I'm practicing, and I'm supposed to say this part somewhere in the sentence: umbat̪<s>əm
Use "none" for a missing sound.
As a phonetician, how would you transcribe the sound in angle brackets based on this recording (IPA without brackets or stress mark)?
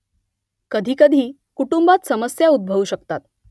s